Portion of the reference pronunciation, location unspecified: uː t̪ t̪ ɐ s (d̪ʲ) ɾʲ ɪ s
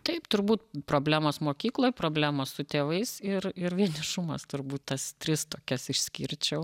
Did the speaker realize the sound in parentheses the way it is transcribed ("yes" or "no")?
no